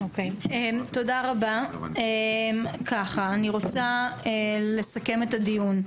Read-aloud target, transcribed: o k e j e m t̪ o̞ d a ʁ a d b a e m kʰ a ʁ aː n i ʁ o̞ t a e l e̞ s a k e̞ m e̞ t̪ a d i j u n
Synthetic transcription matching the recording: o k e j e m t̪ o̞ d a ʁ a b a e m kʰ a χ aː n i ʁ o̞ t͡s a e l e̞ s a k e̞ m e̞ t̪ a d i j u n